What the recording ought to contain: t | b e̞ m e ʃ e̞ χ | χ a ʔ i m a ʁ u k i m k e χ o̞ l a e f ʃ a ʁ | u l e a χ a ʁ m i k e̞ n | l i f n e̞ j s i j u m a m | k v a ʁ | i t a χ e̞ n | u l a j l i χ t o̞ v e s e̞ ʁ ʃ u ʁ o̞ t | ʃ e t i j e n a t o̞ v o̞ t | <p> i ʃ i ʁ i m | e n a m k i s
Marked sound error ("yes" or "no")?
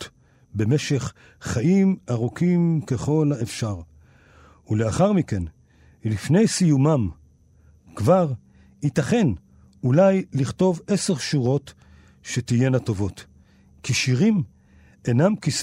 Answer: yes